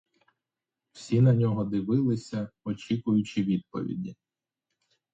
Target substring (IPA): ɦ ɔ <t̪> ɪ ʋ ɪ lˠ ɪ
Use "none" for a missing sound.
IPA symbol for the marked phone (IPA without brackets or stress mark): d̪